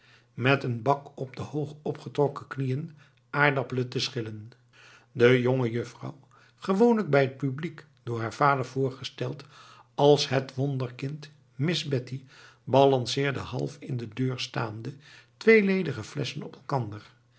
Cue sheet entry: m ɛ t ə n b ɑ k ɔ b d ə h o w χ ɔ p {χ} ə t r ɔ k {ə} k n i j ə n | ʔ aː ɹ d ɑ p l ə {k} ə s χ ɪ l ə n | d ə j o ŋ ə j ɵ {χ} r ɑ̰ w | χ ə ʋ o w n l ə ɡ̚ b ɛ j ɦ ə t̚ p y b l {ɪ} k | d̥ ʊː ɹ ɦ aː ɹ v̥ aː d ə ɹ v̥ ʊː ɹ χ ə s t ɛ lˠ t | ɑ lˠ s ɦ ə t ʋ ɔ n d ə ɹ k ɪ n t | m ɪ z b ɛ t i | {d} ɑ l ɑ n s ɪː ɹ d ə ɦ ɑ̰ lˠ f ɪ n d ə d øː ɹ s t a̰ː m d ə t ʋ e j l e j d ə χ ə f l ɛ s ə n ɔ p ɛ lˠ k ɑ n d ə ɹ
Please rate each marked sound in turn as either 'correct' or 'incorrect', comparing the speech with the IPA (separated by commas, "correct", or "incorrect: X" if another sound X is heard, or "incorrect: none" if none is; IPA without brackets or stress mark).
correct, correct, incorrect: t, incorrect: f, incorrect: i, incorrect: b